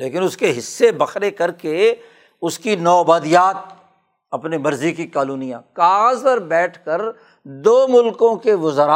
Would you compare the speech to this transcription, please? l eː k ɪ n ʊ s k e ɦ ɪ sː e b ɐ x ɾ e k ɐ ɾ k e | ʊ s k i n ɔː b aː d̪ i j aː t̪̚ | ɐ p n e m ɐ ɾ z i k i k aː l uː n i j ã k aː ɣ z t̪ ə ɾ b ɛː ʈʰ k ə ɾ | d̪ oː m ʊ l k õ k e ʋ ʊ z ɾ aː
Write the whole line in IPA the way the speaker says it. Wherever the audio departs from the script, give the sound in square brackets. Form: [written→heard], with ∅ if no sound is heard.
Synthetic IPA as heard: l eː k ɪ n ʊ s k e ɦ ɪ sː e b ɐ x ɾ e k ɐ ɾ k e | ʊ s k i n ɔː b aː d̪ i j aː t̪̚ | ɐ p n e m ɐ ɾ z i k i k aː l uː n i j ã k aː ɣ z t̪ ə ɾ b ɛː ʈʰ k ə ɾ | d̪ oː m ʊ l k õ k e ʋ ʊ z ɾ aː